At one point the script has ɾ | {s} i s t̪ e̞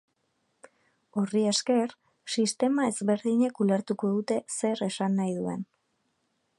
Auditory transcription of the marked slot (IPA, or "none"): s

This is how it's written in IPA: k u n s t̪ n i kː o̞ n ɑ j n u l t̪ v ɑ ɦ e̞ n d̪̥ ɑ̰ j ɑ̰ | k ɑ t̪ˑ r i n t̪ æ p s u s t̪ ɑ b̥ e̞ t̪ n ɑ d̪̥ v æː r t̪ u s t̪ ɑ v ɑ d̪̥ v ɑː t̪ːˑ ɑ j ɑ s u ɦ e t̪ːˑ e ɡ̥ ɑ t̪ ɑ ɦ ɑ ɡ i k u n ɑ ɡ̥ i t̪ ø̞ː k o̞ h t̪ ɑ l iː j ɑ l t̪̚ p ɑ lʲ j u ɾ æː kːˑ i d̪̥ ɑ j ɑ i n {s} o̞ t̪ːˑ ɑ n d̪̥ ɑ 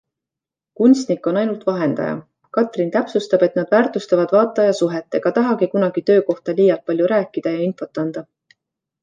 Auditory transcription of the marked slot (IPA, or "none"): f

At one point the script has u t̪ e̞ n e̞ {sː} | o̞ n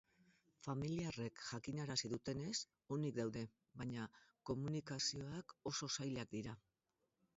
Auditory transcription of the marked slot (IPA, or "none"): s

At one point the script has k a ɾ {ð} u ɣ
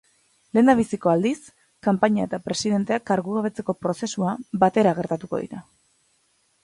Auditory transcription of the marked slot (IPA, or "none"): ɣ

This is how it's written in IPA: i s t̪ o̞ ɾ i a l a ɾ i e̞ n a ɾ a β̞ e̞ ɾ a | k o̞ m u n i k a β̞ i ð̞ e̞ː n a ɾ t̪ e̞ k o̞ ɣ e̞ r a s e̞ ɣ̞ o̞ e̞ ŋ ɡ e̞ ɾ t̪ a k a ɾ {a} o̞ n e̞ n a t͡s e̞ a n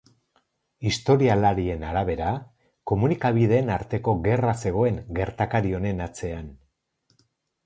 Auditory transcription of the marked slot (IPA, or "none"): i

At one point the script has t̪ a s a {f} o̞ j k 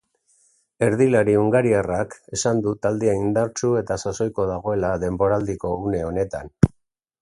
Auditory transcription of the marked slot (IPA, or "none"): s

